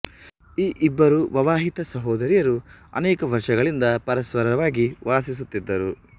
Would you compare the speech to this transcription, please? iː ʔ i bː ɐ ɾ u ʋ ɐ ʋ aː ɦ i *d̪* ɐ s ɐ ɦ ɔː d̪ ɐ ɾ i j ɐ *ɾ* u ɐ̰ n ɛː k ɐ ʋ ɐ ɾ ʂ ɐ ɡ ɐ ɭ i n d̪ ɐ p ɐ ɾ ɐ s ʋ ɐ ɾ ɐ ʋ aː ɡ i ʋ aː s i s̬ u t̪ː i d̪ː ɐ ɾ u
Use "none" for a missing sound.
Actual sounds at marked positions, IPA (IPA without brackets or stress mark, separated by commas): t̪, ɾ